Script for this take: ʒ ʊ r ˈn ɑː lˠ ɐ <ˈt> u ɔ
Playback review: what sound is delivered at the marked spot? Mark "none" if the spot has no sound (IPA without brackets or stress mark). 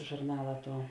t